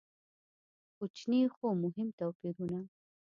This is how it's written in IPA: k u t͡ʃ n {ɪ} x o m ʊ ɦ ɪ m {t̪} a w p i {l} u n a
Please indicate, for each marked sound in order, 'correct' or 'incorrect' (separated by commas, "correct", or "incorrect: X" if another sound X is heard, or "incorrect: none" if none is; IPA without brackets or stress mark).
incorrect: i, correct, incorrect: ɾ